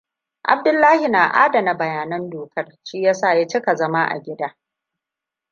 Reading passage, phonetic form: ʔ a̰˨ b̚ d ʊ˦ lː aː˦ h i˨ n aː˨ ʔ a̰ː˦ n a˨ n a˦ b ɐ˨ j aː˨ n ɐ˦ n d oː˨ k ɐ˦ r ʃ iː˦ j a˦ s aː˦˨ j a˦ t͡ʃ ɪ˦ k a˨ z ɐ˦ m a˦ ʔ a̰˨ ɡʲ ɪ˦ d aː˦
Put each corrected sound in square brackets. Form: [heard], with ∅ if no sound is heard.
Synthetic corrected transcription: ʔ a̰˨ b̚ d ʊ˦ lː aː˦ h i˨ n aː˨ ʔ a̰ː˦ [d] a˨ n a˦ b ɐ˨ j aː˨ n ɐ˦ n d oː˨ k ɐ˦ r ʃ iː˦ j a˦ s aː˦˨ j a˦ t͡ʃ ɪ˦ k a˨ z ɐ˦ m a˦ ʔ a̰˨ ɡʲ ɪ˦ d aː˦